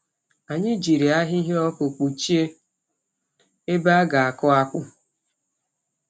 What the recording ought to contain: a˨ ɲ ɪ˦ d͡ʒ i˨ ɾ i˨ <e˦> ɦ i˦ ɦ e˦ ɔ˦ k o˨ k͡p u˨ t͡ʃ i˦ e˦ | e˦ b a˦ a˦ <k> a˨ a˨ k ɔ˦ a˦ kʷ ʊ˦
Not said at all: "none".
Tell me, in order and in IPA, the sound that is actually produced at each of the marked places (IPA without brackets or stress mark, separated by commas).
a˦, ɡ